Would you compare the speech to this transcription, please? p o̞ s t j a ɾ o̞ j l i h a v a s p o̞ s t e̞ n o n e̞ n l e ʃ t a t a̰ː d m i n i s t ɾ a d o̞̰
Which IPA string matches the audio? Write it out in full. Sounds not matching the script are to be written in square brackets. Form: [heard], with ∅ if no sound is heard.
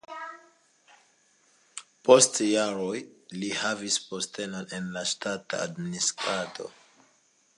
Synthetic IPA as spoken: p o̞ s t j a ɾ o̞ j l i h a v [i] s p o̞ s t e̞ n o n e̞ n l [a] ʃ t a t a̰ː d m i n i s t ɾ a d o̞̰